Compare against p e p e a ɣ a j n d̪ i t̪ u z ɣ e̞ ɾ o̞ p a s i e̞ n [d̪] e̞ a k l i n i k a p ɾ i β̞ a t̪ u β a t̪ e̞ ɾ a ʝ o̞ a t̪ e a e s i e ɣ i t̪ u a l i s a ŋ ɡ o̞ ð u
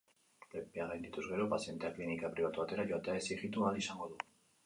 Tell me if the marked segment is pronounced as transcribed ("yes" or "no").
no